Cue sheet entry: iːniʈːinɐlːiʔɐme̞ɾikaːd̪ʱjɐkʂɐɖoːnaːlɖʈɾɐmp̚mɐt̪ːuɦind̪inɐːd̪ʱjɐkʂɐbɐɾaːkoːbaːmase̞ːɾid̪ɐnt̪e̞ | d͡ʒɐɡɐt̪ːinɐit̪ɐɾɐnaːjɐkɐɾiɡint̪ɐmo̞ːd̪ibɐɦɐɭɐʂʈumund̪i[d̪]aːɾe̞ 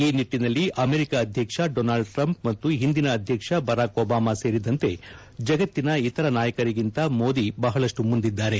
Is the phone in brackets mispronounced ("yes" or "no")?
yes